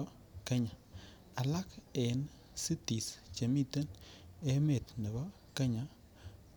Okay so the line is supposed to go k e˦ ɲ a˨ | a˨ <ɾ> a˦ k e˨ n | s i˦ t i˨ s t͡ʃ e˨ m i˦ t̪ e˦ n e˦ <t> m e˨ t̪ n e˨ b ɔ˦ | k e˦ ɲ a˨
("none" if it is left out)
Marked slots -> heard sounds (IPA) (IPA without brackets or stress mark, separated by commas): l, none